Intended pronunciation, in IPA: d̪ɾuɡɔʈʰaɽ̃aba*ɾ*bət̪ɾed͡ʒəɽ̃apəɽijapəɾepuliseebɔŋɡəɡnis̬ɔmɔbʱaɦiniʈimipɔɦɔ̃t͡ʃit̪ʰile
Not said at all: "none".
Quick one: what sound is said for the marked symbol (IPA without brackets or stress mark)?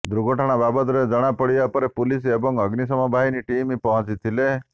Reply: none